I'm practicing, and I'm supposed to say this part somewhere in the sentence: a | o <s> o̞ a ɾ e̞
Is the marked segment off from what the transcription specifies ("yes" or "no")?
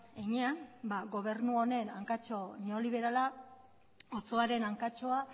yes